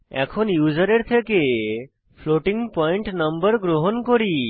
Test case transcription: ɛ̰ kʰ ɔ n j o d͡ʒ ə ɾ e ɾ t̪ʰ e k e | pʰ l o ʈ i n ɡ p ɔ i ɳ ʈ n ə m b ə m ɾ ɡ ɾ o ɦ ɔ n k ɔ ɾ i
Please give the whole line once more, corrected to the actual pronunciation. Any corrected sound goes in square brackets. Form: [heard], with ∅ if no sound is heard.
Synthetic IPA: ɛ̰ kʰ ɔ n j [u] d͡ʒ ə ɾ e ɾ t̪ʰ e k e | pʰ l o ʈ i [ŋ] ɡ p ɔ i ɳ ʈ n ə m b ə [∅] ɾ ɡ ɾ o ɦ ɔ n k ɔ ɾ i